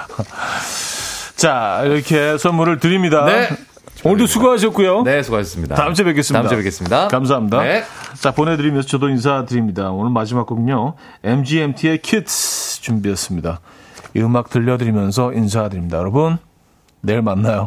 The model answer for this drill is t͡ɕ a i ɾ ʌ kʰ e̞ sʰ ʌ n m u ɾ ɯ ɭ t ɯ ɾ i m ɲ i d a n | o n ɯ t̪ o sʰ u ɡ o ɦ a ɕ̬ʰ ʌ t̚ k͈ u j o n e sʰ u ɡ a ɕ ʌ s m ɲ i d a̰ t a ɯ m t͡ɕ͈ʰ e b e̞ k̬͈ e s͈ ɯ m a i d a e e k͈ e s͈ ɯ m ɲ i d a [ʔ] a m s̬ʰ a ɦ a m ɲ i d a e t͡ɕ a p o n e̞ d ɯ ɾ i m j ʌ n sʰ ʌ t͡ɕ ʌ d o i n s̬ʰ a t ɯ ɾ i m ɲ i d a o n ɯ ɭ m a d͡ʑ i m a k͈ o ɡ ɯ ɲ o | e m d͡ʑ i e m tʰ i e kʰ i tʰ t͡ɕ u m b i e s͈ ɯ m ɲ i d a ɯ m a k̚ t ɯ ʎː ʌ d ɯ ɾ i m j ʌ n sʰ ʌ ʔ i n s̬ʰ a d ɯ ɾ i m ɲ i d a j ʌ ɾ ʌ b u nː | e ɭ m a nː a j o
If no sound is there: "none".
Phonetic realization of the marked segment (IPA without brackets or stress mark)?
k